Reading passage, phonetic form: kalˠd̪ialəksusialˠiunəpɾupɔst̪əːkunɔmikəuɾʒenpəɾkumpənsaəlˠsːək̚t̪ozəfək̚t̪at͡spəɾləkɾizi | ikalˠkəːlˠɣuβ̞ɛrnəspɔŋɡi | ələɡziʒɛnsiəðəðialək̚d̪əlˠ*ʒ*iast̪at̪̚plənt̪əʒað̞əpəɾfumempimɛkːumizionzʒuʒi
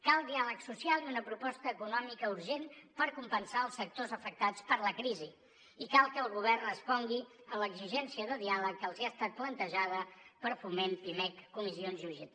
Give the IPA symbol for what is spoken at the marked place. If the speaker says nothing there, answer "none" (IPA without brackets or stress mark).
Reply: z